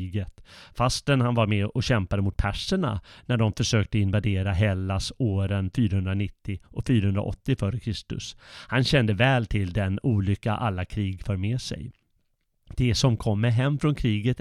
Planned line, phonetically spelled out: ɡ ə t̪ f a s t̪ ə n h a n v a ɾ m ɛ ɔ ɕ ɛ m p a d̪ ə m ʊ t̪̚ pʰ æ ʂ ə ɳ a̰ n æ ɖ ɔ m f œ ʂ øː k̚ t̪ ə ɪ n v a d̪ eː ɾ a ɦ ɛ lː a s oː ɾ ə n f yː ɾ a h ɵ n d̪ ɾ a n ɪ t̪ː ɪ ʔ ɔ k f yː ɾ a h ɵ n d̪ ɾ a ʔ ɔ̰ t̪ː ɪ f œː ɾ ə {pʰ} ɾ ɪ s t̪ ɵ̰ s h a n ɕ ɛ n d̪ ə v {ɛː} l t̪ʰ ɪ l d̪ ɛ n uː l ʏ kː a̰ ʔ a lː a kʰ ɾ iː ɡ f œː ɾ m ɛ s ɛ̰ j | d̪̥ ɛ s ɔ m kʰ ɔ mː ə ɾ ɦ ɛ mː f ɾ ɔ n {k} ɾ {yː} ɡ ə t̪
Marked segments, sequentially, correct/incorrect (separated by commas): incorrect, correct, incorrect, incorrect